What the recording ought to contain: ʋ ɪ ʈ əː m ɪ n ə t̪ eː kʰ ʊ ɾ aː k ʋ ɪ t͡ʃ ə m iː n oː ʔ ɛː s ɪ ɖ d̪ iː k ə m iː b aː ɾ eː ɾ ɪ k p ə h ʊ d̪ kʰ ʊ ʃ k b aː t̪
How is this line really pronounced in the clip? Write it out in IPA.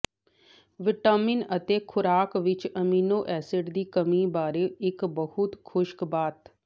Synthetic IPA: ʋ ɪ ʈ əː m ɪ n ə t̪ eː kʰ ʊ ɾ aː k ʋ ɪ t͡ʃ ə m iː n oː ʔ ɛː s ɪ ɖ d̪ iː k ə m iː b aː ɾ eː ɪ k b ə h ʊ t̪ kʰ ʊ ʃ k b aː t̪